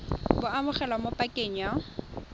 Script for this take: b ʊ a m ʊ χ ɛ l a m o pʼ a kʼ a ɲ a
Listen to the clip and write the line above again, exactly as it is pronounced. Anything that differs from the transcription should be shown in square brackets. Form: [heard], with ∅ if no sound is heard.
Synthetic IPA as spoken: b ʊ a m ʊ χ ɛ l a m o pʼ a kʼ [e] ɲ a